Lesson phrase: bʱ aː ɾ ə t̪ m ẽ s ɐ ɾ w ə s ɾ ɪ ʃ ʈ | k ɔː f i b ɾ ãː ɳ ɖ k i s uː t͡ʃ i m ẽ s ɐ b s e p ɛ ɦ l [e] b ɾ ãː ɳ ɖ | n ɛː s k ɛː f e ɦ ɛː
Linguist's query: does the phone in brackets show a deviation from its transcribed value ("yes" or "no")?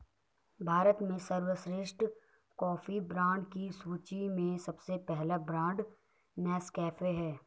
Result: yes